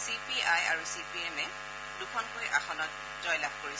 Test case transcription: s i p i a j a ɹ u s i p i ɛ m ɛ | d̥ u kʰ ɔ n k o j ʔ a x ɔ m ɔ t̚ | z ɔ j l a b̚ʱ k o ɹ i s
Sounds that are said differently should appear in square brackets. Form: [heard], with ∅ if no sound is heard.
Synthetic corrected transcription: s i p i a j a ɹ u s i p i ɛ m ɛ | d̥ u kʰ ɔ n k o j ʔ a x ɔ [n] ɔ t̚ | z ɔ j l a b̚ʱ k o ɹ i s